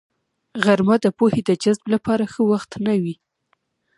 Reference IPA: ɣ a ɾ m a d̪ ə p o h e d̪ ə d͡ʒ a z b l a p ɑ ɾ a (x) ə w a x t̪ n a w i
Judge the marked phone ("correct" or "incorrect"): correct